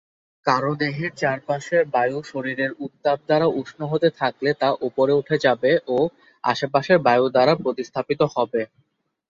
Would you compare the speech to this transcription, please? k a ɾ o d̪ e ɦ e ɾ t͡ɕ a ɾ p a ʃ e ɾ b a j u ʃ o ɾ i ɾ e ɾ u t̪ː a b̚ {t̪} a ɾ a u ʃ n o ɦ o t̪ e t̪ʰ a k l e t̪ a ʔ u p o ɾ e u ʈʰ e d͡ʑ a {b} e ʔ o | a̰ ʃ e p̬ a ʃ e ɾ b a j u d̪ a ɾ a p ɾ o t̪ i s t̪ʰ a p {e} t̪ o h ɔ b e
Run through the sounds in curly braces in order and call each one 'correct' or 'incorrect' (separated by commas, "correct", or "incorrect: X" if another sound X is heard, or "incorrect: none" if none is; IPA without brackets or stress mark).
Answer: incorrect: d̪, correct, incorrect: i